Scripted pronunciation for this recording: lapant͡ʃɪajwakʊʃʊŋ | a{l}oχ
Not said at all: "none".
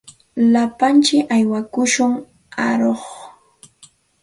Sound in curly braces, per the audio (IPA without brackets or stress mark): ɾ